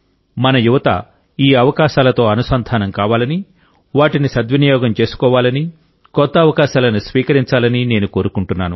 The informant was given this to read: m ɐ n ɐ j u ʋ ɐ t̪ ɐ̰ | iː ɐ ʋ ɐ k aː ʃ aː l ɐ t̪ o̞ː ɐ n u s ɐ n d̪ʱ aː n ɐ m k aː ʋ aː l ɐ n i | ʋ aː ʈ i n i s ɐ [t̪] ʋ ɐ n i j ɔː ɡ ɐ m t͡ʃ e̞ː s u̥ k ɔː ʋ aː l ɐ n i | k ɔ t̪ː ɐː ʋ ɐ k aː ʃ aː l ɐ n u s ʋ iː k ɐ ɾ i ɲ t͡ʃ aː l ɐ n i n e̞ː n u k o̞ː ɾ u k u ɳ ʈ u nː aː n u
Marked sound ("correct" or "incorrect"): incorrect